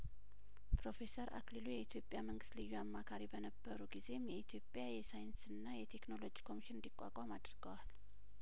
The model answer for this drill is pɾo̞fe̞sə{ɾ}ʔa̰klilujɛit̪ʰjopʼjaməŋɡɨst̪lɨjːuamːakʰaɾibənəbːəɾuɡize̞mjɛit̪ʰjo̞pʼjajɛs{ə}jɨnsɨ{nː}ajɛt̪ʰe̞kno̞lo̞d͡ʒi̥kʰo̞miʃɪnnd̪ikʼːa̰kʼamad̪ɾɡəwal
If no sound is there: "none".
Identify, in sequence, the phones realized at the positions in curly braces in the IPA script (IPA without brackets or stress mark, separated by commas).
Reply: ɾ, a, nː